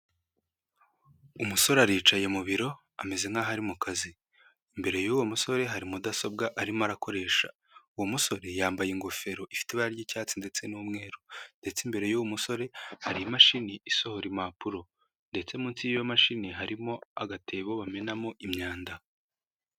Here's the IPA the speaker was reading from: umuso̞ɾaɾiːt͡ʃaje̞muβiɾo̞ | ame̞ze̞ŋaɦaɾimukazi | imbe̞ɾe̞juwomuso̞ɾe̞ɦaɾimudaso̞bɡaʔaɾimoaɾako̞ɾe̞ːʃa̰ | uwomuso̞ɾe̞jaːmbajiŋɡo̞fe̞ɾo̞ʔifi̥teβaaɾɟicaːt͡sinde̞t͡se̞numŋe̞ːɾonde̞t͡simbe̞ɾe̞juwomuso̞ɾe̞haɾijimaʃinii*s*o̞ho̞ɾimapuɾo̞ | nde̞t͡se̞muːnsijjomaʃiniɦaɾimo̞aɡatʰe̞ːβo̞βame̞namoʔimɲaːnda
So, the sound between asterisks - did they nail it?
yes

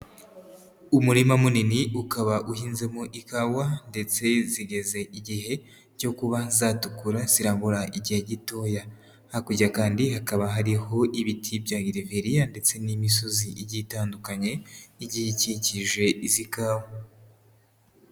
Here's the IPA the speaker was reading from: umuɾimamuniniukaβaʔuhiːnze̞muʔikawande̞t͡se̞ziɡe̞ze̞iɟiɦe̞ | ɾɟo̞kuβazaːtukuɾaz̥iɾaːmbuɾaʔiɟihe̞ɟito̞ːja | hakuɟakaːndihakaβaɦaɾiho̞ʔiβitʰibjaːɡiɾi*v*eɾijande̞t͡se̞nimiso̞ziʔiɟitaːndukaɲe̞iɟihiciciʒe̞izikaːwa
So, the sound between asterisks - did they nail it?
yes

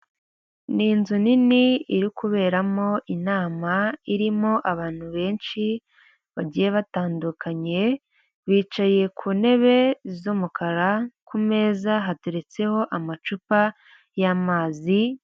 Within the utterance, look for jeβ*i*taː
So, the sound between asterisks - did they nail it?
no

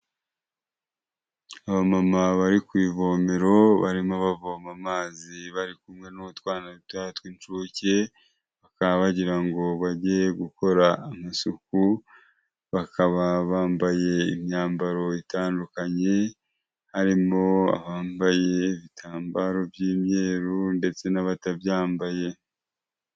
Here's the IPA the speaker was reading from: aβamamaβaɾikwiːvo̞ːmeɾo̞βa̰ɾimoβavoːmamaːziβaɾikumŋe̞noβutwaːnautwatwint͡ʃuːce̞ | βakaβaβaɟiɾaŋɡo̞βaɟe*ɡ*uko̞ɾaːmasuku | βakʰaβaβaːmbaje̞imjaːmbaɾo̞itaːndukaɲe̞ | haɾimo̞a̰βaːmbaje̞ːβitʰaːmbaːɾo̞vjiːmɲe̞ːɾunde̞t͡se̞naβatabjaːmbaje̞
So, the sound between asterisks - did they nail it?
yes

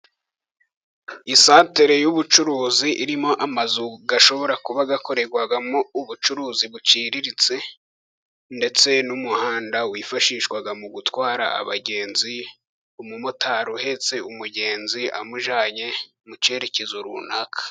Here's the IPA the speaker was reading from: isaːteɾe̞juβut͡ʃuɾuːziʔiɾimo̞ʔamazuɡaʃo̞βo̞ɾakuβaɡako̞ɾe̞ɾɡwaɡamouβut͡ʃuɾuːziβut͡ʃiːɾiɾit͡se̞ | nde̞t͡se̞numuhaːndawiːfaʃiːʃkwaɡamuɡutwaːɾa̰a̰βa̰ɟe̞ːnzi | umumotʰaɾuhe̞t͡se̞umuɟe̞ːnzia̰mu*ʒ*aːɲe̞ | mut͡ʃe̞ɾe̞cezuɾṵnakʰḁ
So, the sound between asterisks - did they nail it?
yes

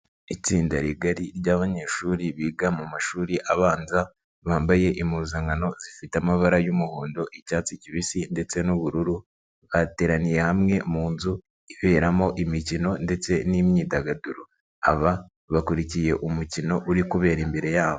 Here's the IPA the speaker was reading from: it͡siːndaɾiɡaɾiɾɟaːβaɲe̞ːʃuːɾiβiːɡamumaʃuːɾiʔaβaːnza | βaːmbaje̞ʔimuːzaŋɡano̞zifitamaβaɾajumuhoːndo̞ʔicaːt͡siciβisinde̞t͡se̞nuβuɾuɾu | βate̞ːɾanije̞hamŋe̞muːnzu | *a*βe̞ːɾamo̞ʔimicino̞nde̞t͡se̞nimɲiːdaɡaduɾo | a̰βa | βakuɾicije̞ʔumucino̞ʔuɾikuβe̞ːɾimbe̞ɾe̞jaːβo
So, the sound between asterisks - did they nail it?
no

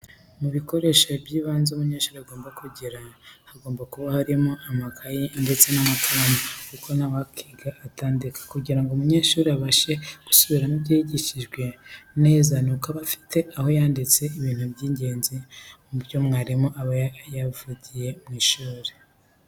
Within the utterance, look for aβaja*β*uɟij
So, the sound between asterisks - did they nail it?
no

